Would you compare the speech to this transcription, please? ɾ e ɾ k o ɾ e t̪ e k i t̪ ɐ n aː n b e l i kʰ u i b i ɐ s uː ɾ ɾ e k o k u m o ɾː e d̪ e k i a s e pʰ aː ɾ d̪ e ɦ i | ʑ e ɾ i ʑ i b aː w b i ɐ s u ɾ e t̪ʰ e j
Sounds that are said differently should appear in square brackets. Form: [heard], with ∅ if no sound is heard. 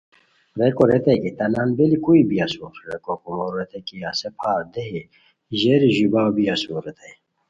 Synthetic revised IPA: ɾ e [∅] k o ɾ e t̪ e k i t̪ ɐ n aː n b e l i [k] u i b i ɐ s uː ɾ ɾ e k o k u m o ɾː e [t̪] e k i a s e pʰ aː ɾ d̪ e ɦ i | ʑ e ɾ i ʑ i b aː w b i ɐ s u ɾ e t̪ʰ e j